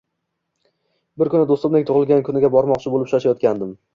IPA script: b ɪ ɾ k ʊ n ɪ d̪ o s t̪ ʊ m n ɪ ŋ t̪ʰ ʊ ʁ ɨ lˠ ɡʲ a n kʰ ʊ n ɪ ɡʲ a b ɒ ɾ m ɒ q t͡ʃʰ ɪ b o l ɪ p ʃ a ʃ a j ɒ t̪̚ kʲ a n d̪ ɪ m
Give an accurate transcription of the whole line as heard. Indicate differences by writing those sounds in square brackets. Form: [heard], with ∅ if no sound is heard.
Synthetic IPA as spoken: b ɪ ɾ k ʊ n ɪ d̪ o s t̪ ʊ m n ɪ ŋ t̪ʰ ʊ ʁ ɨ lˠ ɡʲ a n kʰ ʊ n ɪ ɡʲ a b ɒ ɾ m ɒ q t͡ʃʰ ɪ b o l ɪ p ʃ a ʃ a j ɒ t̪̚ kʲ a n d̪ ɪ m